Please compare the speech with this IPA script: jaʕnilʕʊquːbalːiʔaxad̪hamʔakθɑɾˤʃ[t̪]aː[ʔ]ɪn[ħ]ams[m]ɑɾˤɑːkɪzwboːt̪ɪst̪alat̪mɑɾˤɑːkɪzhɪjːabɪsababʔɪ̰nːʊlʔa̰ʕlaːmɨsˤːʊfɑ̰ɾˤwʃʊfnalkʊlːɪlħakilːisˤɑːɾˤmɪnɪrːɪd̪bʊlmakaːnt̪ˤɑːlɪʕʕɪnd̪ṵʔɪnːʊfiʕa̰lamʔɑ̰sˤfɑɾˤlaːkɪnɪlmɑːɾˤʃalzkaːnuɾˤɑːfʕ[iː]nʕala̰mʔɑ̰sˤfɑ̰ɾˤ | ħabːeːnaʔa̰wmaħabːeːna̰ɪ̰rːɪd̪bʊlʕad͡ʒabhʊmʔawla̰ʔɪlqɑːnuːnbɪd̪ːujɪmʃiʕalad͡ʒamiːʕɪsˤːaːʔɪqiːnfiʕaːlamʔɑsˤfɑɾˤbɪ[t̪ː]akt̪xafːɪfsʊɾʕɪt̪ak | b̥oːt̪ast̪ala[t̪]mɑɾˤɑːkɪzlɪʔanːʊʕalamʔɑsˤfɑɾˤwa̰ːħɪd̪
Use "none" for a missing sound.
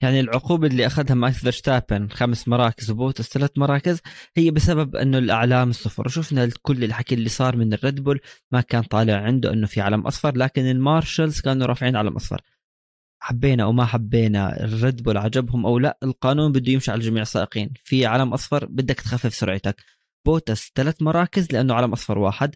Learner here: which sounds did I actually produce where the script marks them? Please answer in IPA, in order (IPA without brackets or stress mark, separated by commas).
t̪, p, x, m, iː, d̪ː, t̪